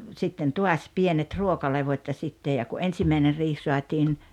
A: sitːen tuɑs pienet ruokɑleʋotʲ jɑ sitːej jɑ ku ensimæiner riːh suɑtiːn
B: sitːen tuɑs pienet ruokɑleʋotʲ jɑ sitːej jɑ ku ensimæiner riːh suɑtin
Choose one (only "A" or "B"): A